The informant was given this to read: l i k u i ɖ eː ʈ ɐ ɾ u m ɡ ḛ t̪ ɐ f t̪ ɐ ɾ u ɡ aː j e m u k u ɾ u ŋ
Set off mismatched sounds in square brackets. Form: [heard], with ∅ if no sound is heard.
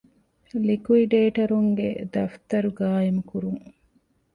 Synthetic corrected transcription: l i k u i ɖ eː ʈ ɐ ɾ u [ŋ] ɡ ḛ [d̪] ɐ f t̪ ɐ ɾ u ɡ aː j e m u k u ɾ u ŋ